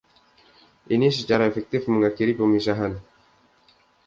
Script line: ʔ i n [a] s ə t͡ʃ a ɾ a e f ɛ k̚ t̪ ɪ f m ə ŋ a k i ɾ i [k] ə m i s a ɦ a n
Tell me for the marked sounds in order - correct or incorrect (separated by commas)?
incorrect, incorrect